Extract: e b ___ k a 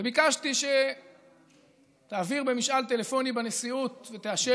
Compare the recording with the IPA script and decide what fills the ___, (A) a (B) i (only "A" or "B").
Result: B